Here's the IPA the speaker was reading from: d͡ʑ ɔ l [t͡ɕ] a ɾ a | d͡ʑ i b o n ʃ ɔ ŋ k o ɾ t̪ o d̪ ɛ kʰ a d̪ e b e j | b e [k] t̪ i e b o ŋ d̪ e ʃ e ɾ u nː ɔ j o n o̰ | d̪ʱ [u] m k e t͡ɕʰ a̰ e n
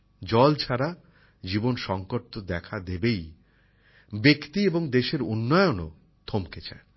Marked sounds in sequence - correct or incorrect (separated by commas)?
incorrect, correct, incorrect